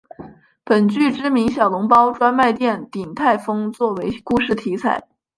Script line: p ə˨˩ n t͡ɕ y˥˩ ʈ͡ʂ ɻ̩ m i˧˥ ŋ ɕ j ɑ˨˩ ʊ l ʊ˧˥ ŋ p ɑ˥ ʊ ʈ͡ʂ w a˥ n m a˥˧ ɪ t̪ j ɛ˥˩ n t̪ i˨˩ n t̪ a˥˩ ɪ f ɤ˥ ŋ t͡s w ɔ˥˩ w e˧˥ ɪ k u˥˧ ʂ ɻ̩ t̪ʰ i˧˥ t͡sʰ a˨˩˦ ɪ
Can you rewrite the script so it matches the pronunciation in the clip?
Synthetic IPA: p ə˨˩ n t͡ɕ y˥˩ ʈ͡ʂ ɻ̩ m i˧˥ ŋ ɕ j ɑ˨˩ ʊ l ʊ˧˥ ŋ p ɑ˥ ʊ ʈ͡ʂ w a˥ n m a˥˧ ɪ t̪ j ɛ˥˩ n t̪ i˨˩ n t̪ʰ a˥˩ ɪ f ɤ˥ ŋ t͡s w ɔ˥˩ w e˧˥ ɪ k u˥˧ ʂ ɻ̩ t̪ʰ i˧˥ t͡sʰ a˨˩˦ ɪ

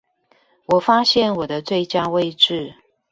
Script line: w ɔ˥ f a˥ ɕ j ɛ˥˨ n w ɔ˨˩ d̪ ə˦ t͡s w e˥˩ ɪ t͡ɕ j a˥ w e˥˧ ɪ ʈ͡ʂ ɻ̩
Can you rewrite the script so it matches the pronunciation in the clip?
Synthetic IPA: w ɔ˨˩ f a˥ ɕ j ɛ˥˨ n w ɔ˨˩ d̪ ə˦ t͡s w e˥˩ ɪ t͡ɕ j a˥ w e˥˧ ɪ ʈ͡ʂ ɻ̩

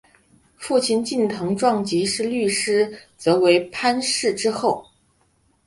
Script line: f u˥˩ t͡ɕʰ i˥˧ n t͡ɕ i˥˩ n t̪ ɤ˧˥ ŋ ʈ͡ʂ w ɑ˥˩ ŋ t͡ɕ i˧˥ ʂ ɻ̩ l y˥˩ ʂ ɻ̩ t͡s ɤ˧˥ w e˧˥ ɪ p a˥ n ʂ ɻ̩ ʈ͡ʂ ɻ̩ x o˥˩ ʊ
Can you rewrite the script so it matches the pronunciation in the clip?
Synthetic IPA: f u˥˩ t͡ɕʰ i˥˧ n t͡ɕ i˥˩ n t̪ʰ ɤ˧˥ ŋ ʈ͡ʂ w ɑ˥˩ ŋ t͡ɕ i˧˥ ʂ ɻ̩ l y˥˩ ʂ ɻ̩ t͡s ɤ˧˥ w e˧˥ ɪ pʰ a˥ n ʂ ɻ̩ ʈ͡ʂ ɻ̩ x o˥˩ ʊ

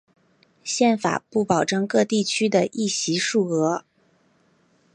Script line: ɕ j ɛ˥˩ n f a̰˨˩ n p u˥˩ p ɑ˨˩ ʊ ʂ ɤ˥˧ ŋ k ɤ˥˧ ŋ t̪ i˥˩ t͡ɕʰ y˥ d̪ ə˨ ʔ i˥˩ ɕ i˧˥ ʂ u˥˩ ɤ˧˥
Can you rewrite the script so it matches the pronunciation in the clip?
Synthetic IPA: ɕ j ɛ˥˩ n f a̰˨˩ p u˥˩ p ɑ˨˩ ʊ ʈ͡ʂ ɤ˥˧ ŋ k ɤ˥˧ t̪ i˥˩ t͡ɕʰ y˥ d̪ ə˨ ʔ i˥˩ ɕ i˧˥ ʂ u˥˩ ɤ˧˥

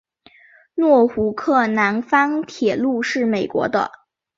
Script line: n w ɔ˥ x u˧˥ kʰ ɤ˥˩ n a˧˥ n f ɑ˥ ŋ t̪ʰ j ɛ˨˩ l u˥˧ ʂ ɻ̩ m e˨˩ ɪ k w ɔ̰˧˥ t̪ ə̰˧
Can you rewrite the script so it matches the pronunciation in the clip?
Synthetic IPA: n w ɔ˥˩ x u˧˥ kʰ ɤ˥˩ n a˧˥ n f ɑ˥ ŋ t̪ʰ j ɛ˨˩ l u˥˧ ʂ ɻ̩ m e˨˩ ɪ k w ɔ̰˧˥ d̪ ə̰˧

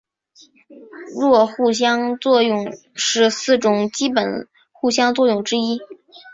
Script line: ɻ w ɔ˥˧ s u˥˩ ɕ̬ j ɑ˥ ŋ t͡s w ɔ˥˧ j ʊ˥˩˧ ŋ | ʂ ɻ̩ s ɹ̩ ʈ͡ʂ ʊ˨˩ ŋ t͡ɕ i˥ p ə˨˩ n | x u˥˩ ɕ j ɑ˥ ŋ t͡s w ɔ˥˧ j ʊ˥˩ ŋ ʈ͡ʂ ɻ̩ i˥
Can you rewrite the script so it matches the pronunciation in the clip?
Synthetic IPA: ɻ w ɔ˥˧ x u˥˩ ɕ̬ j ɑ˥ ŋ t͡s w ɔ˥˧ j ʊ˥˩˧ ŋ | ʂ ɻ̩ s ɹ̩ ʈ͡ʂ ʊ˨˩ ŋ t͡ɕ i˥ p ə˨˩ n | x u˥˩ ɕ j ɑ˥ ŋ t͡s w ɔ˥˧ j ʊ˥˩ ŋ ʈ͡ʂ ɻ̩ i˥

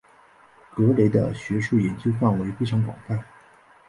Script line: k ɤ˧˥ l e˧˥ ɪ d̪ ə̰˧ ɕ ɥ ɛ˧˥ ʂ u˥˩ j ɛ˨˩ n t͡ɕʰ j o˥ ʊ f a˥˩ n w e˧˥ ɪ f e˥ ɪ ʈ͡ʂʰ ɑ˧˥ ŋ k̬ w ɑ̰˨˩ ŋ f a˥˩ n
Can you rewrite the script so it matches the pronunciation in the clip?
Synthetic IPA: k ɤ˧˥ l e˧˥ ɪ d̪ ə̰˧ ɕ ɥ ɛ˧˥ ʂ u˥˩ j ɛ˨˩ n t͡ɕ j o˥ ʊ f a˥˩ n w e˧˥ ɪ f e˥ ɪ ʈ͡ʂʰ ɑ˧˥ ŋ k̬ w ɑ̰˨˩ ŋ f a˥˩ n

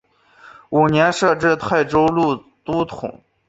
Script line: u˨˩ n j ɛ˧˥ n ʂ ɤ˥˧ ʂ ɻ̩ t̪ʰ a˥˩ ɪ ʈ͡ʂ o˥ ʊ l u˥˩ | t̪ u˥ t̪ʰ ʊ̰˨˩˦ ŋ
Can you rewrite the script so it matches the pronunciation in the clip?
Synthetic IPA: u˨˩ n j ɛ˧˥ n ʂ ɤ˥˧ ʈ͡ʂ ɻ̩ t̪ʰ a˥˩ ɪ ʈ͡ʂ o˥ ʊ l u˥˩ | t̪ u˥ t̪ʰ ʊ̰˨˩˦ ŋ

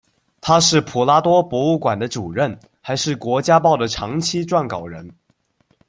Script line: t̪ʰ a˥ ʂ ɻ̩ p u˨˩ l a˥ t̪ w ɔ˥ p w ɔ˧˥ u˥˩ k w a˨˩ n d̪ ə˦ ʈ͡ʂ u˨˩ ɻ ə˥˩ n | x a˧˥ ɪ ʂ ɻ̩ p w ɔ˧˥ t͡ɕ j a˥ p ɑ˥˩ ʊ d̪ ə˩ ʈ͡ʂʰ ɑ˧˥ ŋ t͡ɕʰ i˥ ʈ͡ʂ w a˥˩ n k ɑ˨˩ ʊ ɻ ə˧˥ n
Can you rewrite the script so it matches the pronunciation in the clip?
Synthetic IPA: t̪ʰ a˥ ʂ ɻ̩ pʰ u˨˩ l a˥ t̪ w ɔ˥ p w ɔ˧˥ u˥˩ k w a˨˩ n d̪ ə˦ ʈ͡ʂ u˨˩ ɻ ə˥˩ n | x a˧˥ ɪ ʂ ɻ̩ k w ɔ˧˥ t͡ɕ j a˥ p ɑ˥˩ ʊ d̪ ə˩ ʈ͡ʂʰ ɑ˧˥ ŋ t͡ɕʰ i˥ ʈ͡ʂ w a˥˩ n k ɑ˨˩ ʊ ɻ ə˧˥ n

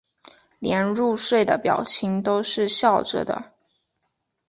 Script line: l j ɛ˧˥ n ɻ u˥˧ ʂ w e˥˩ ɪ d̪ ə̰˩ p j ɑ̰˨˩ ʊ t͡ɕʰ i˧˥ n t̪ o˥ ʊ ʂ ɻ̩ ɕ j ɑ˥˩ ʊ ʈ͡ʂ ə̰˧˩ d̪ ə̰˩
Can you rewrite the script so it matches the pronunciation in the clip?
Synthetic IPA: l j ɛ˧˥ n ɻ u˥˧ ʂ w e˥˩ ɪ d̪ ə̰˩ p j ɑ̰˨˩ ʊ t͡ɕʰ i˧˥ ŋ t̪ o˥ ʊ ʂ ɻ̩ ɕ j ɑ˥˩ ʊ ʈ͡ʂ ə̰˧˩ d̪ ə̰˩

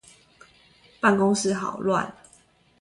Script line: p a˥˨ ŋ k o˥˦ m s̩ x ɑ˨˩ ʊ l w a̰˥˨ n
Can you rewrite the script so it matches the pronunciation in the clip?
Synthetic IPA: p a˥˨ n k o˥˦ ŋ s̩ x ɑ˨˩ ʊ l w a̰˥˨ n

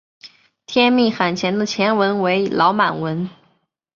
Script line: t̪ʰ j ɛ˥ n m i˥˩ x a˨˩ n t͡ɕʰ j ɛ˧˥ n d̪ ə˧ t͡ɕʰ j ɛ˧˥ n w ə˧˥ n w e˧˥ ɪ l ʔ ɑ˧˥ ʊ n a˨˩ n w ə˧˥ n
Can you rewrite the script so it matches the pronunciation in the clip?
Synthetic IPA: t̪ʰ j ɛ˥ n m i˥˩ x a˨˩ n t͡ɕʰ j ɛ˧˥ n d̪ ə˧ t͡ɕʰ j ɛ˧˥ n w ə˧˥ n w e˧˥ ɪ l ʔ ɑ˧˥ ʊ m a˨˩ n w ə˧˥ n

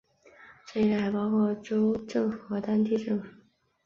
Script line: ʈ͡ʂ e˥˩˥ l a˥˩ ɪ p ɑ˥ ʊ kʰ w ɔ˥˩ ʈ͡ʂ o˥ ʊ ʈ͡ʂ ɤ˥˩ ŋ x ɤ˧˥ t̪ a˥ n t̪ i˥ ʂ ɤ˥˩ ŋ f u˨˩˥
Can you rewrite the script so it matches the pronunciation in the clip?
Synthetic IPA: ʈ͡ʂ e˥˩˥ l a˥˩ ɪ p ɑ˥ ʊ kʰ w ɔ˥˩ ʈ͡ʂ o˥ ʊ ʈ͡ʂ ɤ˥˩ ŋ x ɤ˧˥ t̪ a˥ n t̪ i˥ ʈ͡ʂ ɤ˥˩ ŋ f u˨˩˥

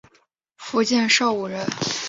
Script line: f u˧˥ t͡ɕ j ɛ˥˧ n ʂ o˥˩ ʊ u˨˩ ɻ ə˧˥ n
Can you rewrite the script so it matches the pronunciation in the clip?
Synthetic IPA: f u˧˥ t͡ɕ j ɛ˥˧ n ʂ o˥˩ ʊ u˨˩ ɻ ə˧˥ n

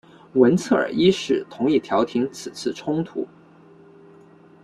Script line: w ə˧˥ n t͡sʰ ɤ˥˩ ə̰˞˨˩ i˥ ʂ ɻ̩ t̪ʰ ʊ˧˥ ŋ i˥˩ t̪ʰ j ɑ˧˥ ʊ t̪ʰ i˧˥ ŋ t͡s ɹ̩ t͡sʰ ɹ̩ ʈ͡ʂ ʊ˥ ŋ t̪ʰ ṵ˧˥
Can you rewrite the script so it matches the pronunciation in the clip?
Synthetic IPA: w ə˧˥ n t͡sʰ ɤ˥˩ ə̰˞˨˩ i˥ ʂ ɻ̩ t̪ʰ ʊ˧˥ ŋ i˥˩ t̪ʰ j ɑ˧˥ ʊ t̪ʰ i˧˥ ŋ t͡sʰ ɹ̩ t͡sʰ ɹ̩ ʈ͡ʂʰ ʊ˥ ŋ t̪ʰ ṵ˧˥

